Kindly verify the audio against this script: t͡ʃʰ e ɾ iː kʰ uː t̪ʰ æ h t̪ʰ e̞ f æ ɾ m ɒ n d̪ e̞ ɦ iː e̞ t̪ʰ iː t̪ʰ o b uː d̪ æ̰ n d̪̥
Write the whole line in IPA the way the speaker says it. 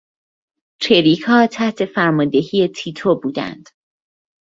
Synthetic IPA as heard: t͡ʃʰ e ɾ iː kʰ ɒː t̪ʰ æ h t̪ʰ e̞ f æ ɾ m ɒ n d̪ e̞ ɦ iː e̞ t̪ʰ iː t̪ʰ o b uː d̪ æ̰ n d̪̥